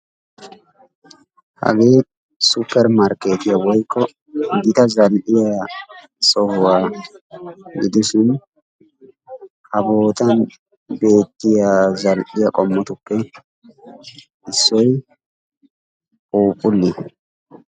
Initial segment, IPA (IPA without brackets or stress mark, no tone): h